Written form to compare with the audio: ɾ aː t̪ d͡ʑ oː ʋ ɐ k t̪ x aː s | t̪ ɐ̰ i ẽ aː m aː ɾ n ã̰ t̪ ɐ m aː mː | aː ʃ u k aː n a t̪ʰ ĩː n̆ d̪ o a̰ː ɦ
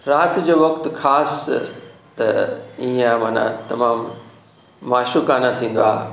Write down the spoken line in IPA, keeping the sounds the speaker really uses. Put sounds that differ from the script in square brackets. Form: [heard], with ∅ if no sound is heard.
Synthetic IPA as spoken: ɾ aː t̪ d͡ʑ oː ʋ ɐ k t̪ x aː s | t̪ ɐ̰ i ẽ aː m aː [∅] n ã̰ t̪ ɐ m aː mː | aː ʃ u k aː n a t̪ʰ ĩː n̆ d̪ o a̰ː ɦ